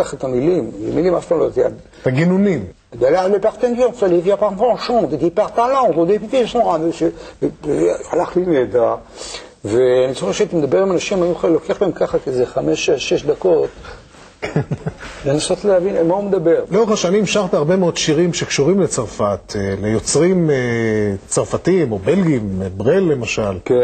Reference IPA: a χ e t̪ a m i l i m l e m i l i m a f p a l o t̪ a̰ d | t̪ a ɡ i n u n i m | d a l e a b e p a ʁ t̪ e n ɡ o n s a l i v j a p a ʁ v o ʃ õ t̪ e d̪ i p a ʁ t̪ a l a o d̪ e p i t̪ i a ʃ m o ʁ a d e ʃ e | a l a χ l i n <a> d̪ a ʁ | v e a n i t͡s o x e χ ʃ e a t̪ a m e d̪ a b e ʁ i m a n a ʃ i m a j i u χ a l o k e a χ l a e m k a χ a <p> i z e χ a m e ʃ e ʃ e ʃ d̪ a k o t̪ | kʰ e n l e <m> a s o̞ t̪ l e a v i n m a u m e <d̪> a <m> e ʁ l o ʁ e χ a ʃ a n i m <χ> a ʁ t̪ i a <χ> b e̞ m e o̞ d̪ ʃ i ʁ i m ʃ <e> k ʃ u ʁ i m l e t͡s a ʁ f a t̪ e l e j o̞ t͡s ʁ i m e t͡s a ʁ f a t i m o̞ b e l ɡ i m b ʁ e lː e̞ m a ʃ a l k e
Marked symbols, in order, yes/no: no, no, no, yes, no, no, no, yes

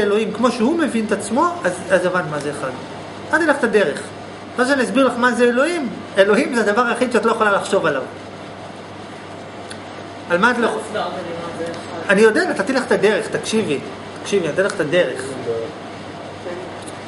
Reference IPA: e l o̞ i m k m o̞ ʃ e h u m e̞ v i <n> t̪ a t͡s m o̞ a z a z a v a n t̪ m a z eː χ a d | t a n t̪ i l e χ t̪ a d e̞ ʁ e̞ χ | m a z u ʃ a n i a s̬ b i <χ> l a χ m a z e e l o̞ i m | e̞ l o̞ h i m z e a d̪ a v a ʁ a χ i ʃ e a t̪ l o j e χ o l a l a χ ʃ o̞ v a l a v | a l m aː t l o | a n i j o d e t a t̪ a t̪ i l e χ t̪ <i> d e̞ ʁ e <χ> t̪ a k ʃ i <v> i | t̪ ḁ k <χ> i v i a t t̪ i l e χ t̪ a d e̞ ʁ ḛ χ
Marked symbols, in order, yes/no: yes, no, no, yes, yes, no

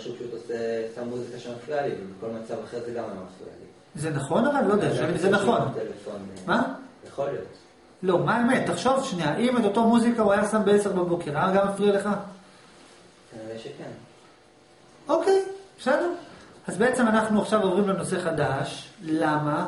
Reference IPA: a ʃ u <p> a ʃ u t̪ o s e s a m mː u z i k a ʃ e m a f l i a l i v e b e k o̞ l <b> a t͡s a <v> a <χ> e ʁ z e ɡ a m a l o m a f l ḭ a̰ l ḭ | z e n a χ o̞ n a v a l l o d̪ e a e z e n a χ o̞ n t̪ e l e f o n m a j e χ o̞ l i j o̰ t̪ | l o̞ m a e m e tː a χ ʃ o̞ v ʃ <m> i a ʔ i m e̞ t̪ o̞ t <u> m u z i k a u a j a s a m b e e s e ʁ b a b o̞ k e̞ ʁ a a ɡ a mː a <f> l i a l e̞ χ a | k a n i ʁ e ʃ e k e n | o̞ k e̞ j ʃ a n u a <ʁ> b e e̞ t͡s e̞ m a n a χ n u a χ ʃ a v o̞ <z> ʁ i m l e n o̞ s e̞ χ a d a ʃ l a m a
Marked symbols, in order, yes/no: yes, no, yes, yes, no, no, yes, no, no

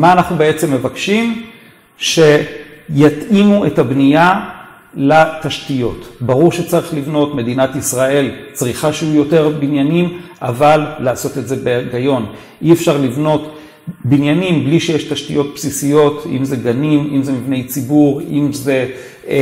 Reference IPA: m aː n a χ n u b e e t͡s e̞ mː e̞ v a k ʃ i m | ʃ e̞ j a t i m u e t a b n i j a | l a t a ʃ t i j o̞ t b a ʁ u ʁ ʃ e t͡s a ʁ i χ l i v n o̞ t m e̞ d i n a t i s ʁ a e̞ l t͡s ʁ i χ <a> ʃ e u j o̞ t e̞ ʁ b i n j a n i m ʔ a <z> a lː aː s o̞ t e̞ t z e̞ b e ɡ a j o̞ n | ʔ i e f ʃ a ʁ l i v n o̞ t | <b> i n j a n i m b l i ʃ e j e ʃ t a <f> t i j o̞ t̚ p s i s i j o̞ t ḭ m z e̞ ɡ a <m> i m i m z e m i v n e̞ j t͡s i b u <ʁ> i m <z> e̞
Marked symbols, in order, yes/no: yes, no, yes, no, no, yes, yes

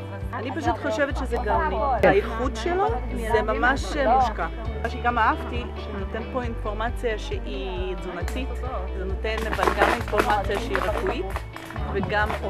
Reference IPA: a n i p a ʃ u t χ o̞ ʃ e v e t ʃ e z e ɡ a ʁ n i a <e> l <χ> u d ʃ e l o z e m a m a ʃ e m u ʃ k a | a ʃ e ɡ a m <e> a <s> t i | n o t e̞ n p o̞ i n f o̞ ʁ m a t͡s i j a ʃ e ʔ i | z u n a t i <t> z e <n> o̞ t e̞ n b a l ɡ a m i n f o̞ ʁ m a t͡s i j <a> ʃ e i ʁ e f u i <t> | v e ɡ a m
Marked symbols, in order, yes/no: no, yes, no, no, yes, yes, yes, yes

